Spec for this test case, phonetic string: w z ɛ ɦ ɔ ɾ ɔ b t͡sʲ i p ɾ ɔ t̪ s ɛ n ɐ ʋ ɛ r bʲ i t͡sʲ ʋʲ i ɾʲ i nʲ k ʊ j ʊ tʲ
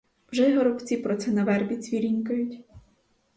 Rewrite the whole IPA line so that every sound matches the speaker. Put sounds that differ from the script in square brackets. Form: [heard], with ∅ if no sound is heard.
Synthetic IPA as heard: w [ʒ] ɛ ɦ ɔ ɾ ɔ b t͡sʲ i p ɾ ɔ t̪ s ɛ n ɐ ʋ ɛ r bʲ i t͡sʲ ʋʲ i ɾʲ i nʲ k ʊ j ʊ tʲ

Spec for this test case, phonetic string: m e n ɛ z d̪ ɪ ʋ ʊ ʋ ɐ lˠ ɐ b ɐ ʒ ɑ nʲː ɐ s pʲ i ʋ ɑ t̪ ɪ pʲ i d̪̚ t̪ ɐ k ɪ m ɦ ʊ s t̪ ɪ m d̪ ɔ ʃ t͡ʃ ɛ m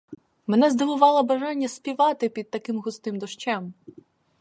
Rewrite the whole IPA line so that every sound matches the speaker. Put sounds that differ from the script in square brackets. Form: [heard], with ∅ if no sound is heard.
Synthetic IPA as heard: m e n ɛ z d̪ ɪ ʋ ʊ ʋ [ɑ] lˠ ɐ b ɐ ʒ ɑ nʲː ɐ s pʲ i ʋ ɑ t̪ ɪ pʲ i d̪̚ t̪ ɐ k ɪ m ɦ ʊ s t̪ ɪ m d̪ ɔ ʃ t͡ʃ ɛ m

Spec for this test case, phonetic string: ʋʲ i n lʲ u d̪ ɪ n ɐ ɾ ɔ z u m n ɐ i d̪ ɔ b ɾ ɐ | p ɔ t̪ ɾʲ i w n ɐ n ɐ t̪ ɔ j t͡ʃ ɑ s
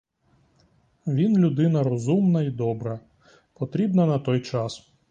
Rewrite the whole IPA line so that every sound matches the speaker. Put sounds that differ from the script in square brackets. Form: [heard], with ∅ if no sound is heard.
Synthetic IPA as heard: ʋʲ i n lʲ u d̪ ɪ n ɐ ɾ ɔ z u m n ɐ i d̪ ɔ b ɾ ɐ | p ɔ t̪ ɾʲ i [b] n ɐ n ɐ t̪ ɔ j t͡ʃ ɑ s

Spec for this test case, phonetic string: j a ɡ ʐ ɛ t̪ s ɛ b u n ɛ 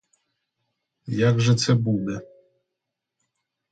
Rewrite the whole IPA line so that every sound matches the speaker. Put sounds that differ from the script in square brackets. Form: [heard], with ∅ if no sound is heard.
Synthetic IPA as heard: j a ɡ ʐ ɛ t̪ s ɛ b u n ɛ

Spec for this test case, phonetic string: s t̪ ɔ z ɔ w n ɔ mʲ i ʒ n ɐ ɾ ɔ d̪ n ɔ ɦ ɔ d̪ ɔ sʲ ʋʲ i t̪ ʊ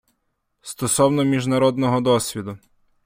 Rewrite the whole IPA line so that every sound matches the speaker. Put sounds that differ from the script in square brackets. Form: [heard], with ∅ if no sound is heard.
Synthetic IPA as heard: s t̪ ɔ [s] ɔ w n ɔ mʲ i ʒ n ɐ ɾ ɔ d̪ n ɔ ɦ ɔ d̪ ɔ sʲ ʋʲ i [d̪] ʊ

